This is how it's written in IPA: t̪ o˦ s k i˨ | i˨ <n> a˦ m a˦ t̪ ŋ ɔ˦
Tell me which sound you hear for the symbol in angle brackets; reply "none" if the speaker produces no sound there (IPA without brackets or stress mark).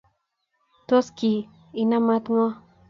n